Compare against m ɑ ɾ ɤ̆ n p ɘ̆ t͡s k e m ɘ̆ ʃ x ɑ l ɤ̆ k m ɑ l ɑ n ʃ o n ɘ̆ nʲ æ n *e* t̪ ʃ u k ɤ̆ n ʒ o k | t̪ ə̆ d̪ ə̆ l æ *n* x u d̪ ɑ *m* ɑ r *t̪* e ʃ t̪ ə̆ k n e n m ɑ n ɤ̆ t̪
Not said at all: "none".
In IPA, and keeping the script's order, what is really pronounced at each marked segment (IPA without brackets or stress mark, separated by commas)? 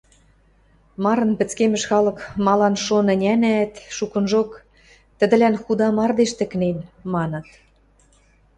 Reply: æ, n, m, d̪